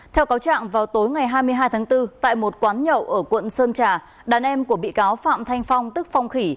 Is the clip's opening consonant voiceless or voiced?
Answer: voiceless